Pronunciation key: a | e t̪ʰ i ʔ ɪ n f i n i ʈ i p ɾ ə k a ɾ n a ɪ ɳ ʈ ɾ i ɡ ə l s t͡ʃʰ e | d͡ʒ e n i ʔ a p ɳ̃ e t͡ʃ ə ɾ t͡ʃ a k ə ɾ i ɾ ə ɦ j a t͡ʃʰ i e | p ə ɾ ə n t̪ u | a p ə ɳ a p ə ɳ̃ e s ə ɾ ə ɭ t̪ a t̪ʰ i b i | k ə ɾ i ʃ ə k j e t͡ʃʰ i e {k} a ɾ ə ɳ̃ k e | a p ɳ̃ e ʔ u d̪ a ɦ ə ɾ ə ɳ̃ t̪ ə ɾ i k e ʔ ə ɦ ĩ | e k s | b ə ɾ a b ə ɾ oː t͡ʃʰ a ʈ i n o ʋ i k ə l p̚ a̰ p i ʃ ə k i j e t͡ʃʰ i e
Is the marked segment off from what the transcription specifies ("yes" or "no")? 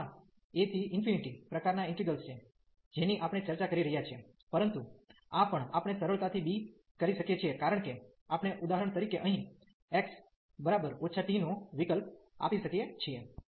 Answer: no